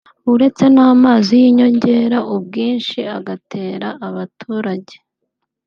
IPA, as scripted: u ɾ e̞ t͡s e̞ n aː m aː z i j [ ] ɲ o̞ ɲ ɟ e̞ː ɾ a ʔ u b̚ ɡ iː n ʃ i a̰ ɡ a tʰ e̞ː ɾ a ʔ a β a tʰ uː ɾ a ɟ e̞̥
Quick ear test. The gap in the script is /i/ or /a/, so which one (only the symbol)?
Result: i